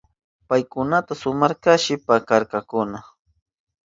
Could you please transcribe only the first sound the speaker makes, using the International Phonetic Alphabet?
p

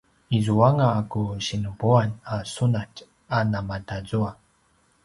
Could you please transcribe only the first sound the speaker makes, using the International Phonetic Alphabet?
i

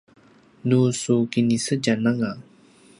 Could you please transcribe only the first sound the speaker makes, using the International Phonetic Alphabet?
n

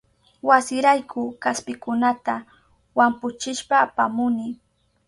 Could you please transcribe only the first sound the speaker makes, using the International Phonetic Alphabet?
w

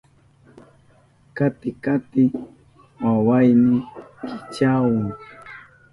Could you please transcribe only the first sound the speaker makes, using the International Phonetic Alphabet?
k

